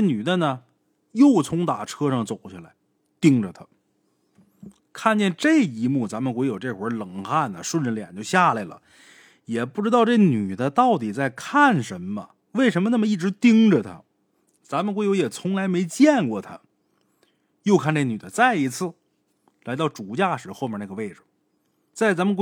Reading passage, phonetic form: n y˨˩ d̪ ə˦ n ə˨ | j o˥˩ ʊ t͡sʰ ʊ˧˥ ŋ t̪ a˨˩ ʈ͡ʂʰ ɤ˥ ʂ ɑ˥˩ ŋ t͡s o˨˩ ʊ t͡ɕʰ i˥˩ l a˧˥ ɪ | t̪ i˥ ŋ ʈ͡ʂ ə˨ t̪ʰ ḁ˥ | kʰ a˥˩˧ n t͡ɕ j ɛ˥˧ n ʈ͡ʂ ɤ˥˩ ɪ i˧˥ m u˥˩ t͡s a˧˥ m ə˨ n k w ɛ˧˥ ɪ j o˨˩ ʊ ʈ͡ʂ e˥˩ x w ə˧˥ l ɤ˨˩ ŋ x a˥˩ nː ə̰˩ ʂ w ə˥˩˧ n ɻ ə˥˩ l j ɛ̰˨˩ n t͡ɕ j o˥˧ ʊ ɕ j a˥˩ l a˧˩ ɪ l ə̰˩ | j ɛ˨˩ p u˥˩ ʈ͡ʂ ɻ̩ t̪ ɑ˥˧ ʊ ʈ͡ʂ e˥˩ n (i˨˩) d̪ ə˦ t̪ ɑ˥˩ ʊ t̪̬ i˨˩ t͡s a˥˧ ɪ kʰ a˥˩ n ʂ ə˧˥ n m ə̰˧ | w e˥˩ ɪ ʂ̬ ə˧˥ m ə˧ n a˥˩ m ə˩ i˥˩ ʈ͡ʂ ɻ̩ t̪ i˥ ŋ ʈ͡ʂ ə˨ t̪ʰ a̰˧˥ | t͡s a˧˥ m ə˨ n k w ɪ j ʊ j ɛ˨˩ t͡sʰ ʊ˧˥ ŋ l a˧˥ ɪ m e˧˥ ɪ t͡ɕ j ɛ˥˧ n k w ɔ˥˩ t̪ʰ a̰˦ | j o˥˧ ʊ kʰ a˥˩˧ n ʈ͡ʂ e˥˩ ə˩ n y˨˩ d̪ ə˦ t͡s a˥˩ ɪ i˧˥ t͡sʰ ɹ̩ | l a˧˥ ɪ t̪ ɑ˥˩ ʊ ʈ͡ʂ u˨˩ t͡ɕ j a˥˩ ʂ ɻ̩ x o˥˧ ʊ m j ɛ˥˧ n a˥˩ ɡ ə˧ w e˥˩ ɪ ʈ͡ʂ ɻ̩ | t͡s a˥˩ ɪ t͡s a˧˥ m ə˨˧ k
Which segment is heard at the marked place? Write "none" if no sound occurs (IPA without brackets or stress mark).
y˨˩